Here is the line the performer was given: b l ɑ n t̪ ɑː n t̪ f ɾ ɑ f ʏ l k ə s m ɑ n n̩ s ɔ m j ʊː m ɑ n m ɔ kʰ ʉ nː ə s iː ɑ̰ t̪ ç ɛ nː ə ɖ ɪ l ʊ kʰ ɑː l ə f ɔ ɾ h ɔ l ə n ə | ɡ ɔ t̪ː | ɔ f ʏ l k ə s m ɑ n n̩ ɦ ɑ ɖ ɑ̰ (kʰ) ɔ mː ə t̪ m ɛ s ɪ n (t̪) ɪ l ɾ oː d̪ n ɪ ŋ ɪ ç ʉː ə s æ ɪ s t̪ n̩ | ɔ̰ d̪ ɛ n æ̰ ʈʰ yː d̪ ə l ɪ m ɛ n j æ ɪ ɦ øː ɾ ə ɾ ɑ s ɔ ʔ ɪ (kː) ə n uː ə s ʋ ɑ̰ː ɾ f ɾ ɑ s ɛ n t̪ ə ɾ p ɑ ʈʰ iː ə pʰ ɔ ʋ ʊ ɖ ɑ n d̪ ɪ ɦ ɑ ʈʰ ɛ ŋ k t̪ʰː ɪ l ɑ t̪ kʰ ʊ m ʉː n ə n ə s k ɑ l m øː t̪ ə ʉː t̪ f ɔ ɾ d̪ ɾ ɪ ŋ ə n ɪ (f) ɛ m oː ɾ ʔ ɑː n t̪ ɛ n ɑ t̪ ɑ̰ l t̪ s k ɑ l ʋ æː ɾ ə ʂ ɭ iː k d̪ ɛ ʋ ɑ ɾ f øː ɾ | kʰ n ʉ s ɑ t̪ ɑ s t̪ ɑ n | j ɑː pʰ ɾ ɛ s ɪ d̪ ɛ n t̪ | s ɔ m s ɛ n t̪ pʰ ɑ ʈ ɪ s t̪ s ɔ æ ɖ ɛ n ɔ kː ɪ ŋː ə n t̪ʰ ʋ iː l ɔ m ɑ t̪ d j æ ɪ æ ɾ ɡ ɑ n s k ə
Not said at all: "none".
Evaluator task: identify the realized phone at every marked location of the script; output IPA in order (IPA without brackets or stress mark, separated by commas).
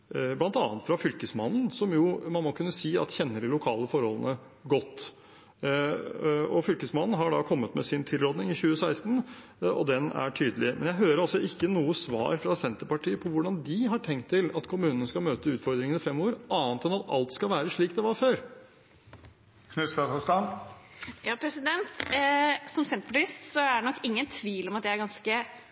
kʰ, t̪ʰ, kː, f